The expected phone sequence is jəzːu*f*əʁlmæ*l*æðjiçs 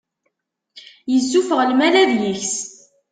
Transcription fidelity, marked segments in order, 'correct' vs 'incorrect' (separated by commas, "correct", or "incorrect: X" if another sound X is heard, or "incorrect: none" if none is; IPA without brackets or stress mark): correct, correct